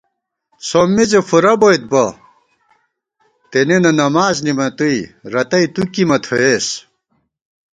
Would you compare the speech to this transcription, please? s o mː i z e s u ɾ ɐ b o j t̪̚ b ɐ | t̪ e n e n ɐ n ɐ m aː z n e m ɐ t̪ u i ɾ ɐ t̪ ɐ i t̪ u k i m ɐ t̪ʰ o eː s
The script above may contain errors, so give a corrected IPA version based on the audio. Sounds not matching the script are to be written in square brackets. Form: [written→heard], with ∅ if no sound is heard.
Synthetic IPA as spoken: s o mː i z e [s→f] u ɾ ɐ b o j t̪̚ b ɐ | t̪ e n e n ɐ n ɐ m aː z n [e→i] m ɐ t̪ u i ɾ ɐ t̪ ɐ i t̪ u k i m ɐ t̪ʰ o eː s